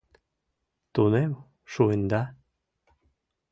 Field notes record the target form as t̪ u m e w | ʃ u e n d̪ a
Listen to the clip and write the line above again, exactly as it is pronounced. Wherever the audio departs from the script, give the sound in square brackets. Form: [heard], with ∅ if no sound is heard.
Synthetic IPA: t̪ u [n] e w | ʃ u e n d̪ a